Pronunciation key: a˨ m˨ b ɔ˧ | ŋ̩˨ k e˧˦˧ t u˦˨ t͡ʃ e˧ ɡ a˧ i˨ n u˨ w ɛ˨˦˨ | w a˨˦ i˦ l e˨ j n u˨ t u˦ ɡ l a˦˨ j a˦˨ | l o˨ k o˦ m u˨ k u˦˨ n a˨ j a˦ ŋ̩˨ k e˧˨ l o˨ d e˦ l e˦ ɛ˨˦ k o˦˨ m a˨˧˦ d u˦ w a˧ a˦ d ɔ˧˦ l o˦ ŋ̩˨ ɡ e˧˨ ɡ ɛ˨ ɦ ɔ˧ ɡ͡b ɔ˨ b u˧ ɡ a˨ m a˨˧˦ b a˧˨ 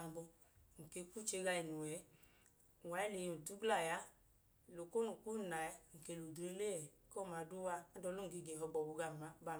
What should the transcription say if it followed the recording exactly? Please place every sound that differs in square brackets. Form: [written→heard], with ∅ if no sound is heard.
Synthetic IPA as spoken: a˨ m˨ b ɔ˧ | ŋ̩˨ k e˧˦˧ [t→k] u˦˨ t͡ʃ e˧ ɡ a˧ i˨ n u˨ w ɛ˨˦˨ | w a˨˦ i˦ l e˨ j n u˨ t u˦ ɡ l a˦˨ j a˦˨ | l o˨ k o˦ [m→n] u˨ k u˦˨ n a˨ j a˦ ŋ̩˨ k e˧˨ l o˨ d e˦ l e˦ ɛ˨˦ k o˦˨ m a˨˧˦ d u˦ w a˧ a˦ d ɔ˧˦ l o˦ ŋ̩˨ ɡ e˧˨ ɡ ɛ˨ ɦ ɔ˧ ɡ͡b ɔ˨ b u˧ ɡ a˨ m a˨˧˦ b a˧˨